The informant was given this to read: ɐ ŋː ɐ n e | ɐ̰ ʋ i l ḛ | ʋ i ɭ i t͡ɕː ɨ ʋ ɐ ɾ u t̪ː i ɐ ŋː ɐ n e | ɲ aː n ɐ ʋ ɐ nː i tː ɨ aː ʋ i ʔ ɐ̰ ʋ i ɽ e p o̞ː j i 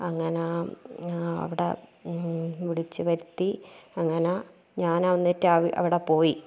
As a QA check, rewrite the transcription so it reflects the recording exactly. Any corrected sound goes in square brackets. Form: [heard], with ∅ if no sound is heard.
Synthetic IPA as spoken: ɐ ŋː ɐ n e | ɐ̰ ʋ i [ɽ] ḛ | ʋ i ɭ i t͡ɕː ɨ ʋ ɐ ɾ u t̪ː i ɐ ŋː ɐ n e | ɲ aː n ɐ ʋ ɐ nː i tː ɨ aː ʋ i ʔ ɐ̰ ʋ i ɽ e p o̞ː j i